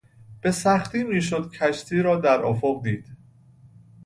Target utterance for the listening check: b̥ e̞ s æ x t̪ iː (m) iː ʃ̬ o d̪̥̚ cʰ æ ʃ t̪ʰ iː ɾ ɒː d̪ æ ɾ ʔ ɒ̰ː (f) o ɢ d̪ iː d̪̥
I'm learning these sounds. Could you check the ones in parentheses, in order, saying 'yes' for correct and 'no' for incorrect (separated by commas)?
yes, yes